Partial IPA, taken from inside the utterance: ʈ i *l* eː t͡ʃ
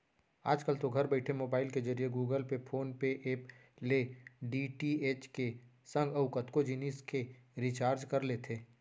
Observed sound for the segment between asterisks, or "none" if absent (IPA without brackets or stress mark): none